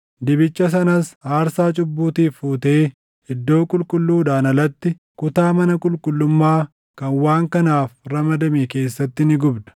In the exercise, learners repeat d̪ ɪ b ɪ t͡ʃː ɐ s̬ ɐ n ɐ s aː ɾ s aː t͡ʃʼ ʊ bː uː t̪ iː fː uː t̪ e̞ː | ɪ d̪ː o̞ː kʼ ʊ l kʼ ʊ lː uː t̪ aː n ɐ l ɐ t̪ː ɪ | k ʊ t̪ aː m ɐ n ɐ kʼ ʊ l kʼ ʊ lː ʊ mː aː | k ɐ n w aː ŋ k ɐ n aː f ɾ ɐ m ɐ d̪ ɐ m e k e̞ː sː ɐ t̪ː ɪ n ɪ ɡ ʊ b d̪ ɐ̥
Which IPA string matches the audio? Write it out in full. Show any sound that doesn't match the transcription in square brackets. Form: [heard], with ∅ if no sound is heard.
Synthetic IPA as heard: d̪ ɪ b ɪ t͡ʃː ɐ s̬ ɐ n ɐ s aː ɾ s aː t͡ʃʼ ʊ bː uː t̪ iː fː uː t̪ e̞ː | ɪ d̪ː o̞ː kʼ ʊ l kʼ ʊ lː uː [d̪] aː n ɐ l ɐ t̪ː ɪ | k ʊ t̪ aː m ɐ n ɐ kʼ ʊ l kʼ ʊ lː ʊ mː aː | k ɐ n w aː ŋ k ɐ n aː f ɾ ɐ m ɐ d̪ ɐ m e k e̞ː sː ɐ t̪ː ɪ n ɪ ɡ ʊ b d̪ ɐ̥